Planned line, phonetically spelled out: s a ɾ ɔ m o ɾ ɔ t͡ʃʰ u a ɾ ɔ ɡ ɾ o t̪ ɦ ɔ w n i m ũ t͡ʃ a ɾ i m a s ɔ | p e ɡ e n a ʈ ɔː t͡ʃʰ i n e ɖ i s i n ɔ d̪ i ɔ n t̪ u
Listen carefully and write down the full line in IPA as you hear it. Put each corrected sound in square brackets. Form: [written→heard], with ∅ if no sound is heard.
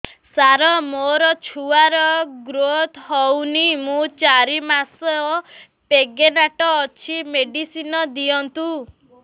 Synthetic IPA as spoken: s a ɾ ɔ m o ɾ ɔ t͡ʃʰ u a ɾ ɔ ɡ ɾ o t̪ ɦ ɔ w n i m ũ t͡ʃ a ɾ i m a s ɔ | p e ɡ e n a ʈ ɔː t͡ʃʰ i [n→m] e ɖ i s i n ɔ d̪ i ɔ n t̪ u